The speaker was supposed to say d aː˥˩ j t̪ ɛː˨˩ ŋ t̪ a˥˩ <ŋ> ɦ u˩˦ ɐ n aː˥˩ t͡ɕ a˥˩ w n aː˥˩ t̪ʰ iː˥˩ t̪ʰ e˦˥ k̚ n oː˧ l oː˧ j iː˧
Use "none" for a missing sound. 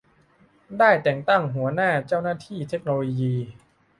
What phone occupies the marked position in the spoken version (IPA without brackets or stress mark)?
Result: ŋ